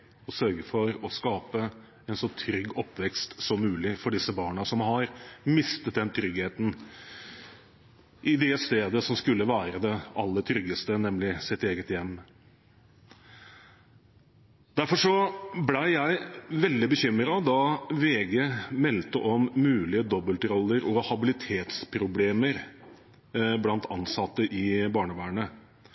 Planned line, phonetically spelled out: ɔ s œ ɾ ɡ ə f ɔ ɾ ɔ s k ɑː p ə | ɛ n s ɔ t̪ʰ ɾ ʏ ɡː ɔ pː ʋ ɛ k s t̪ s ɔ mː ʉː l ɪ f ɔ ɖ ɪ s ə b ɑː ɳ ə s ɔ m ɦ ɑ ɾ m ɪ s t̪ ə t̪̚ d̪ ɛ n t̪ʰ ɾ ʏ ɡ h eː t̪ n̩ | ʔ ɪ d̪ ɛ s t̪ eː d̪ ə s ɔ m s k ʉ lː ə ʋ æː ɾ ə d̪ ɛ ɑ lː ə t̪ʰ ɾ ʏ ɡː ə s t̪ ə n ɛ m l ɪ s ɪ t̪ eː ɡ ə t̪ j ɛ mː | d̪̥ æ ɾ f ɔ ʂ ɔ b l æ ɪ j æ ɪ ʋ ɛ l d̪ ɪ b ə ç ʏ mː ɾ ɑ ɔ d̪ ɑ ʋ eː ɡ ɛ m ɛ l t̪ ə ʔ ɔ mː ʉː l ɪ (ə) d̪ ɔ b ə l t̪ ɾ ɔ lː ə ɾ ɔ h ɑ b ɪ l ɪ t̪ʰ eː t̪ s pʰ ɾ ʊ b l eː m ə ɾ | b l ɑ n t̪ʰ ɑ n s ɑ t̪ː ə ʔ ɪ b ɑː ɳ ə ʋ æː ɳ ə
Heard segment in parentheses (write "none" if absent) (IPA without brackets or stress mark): ə